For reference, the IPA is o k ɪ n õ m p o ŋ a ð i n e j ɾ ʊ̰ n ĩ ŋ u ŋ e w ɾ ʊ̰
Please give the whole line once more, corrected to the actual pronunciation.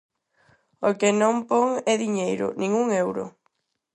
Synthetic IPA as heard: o k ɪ n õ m p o ŋ ɛ ð i ɲ e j ɾ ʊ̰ n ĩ ŋ u ŋ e w ɾ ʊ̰